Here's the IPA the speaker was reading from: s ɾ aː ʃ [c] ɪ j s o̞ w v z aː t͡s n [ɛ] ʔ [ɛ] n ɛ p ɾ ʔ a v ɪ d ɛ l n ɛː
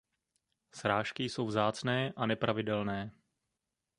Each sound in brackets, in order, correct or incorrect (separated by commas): incorrect, incorrect, incorrect